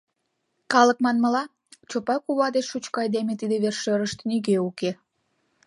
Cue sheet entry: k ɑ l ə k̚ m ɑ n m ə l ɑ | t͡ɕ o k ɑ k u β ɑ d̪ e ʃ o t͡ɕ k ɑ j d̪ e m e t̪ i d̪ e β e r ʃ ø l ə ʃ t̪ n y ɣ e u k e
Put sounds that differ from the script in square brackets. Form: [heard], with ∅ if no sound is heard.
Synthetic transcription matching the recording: k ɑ l ə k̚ m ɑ n m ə l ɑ | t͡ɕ o [p] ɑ k u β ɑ d̪ e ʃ [u] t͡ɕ k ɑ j d̪ e m e t̪ i d̪ e β e r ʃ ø [ɾ] ə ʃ t̪ n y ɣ e u k e